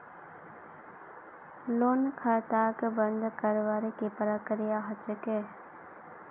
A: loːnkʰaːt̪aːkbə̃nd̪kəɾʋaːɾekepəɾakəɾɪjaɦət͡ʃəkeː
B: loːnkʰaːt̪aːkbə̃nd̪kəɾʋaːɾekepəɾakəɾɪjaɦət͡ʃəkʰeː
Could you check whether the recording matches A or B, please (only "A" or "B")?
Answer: A